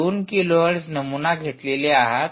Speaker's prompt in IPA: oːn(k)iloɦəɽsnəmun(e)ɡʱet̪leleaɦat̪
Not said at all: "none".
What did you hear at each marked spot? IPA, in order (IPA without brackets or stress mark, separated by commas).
k, a